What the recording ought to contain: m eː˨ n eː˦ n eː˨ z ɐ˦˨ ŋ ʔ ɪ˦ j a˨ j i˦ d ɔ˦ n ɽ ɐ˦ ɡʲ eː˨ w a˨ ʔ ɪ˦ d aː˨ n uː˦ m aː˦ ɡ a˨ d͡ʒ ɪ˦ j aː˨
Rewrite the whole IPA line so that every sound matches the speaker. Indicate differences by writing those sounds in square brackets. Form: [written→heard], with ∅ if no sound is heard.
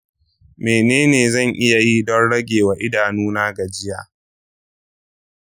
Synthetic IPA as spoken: m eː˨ n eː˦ n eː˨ z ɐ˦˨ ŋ ʔ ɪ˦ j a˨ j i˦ d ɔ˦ n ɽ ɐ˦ ɡʲ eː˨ w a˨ ʔ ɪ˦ d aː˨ n uː˦ [m→n] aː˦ ɡ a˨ d͡ʒ ɪ˦ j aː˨